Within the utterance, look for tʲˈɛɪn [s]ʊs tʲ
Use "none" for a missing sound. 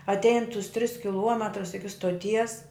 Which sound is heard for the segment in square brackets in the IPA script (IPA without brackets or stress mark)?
t